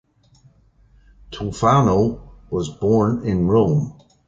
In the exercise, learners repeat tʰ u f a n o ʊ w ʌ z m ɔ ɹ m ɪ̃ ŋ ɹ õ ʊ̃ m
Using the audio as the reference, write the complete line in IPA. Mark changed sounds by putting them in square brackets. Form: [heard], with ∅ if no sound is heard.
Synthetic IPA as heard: tʰ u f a n o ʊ w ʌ z [b] ɔ ɹ [n] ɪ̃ [n] ɹ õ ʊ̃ m